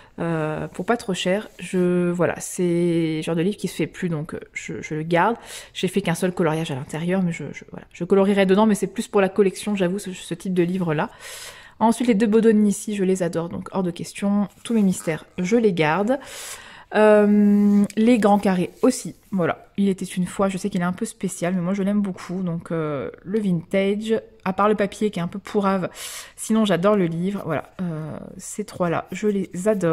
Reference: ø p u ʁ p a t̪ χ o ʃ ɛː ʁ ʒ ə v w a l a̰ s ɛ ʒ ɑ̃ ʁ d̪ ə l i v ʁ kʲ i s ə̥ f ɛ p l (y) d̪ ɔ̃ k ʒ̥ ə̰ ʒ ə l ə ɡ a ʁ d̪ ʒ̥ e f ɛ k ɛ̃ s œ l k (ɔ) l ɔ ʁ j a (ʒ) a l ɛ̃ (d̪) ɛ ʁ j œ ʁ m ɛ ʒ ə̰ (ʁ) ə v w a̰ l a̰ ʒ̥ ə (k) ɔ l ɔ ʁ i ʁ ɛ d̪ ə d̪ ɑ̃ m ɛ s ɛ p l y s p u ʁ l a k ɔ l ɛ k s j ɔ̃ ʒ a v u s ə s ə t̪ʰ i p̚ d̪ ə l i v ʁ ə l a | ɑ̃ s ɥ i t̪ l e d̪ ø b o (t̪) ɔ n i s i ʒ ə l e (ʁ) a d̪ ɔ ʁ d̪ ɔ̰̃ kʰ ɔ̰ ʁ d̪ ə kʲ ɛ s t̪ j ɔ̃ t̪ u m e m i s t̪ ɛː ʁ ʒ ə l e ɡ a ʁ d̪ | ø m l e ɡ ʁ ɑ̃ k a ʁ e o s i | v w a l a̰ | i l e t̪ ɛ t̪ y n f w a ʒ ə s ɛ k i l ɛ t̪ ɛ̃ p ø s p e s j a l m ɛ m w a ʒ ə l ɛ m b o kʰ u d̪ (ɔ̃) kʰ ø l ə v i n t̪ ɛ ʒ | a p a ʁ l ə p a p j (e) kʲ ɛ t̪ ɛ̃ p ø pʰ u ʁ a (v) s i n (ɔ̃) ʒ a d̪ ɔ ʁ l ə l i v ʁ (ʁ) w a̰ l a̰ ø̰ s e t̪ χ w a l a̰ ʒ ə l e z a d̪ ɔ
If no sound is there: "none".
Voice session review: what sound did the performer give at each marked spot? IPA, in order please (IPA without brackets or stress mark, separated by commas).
y, ɔ, ʒ, t̪, ʒ, k, d̪, z, ɔ̃, e, v, ɔ̃, v